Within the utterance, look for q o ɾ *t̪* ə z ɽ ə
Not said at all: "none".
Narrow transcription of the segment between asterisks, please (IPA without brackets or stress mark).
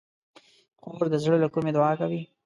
d̪